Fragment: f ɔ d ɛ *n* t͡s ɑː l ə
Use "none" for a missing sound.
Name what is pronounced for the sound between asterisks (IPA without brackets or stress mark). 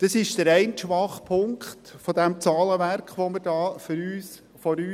m